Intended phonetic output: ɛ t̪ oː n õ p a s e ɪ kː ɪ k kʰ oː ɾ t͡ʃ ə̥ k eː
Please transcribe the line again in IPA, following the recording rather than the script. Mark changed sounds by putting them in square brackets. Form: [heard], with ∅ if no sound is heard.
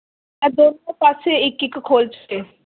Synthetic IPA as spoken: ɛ [d̪] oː n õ p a s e ɪ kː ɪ k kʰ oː [l] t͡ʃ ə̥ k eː